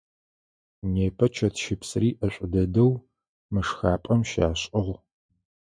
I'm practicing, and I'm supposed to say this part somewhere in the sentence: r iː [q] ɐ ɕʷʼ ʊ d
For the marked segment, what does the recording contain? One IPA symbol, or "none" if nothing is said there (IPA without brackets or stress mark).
ʔ